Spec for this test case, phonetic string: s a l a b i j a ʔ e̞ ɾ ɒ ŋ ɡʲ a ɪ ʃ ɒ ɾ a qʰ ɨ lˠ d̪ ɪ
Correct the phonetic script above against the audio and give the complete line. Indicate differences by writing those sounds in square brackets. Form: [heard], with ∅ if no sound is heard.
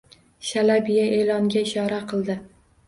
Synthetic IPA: [ʃ] a l a b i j a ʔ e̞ [l] ɒ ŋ ɡʲ a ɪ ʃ ɒ ɾ a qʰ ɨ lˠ d̪ ɪ